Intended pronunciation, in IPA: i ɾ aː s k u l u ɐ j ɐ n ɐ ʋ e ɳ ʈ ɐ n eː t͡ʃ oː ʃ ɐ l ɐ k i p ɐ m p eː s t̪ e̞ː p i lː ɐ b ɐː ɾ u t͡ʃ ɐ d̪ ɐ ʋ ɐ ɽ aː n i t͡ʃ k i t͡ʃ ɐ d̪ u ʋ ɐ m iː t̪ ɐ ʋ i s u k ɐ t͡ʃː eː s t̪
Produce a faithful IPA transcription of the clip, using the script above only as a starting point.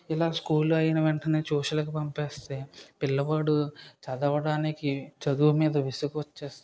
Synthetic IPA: i l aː s k uː l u ɐ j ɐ n ɐ ʋ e ɳ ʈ ɐ n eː t͡ʃ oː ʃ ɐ l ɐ k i p ɐ m p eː s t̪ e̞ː p i lː ɐ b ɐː ɽ u t͡ʃ ɐ d̪ ɐ ʋ ɐ ɽ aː n i k i t͡ʃ ɐ d̪ u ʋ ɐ m iː d̪ ɐ ʋ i s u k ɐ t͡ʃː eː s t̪